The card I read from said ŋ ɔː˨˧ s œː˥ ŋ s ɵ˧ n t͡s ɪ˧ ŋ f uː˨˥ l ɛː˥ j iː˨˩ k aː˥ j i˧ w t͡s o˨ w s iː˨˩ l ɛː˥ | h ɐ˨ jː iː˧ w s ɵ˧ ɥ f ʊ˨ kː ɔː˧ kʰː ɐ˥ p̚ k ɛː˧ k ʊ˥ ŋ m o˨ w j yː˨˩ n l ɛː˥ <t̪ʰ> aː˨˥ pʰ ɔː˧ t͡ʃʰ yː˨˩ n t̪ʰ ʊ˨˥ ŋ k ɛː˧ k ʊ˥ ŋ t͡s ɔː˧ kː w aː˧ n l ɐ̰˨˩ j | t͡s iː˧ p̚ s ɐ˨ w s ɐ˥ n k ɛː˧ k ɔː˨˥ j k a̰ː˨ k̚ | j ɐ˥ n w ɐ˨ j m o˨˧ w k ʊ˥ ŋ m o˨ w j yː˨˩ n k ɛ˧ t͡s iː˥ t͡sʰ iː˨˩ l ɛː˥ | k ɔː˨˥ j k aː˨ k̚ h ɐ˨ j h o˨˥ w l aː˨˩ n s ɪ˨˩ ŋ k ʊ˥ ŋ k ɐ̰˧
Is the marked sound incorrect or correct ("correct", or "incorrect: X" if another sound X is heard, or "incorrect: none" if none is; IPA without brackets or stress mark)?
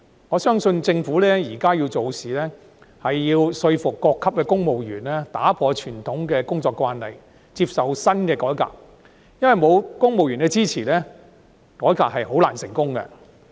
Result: incorrect: t̪